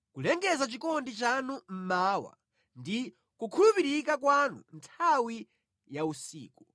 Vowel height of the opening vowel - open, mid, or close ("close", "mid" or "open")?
close